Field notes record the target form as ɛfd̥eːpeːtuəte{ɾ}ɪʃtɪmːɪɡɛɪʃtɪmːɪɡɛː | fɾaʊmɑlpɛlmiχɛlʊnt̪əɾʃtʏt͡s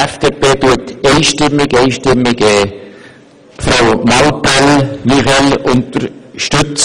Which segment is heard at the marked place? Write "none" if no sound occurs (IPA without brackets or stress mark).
none